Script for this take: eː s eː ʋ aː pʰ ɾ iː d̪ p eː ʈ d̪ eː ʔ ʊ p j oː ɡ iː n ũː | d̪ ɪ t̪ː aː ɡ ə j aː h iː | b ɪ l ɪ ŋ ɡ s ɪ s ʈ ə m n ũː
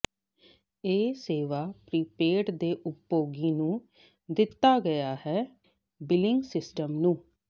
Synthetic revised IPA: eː s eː ʋ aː p ɾ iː p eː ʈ d̪ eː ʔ ʊ p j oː ɡ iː n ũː | d̪ ɪ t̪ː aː ɡ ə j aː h ɛː | b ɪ l ɪ ŋ ɡ s ɪ s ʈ ə m n ũː